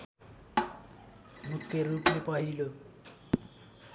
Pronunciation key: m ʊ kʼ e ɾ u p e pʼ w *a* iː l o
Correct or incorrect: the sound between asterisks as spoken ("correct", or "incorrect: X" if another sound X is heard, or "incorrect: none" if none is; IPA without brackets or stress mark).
correct